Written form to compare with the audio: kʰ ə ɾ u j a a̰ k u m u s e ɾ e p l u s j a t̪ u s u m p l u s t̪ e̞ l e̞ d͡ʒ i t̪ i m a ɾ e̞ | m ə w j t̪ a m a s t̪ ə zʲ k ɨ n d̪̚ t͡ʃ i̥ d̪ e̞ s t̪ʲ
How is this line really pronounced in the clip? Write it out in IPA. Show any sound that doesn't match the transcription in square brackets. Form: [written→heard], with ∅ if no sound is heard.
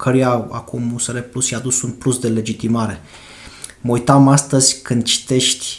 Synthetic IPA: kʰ ə ɾ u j a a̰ k u m u s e ɾ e p l u s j a [t̪→d̪] u s u [m→n] p l u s [t̪→d̪] e̞ l e̞ d͡ʒ i t̪ i m a ɾ e̞ | m ə [w→u] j t̪ a m a s t̪ ə zʲ k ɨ n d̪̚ t͡ʃ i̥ [d̪→t̪] e̞ [s→ʃ] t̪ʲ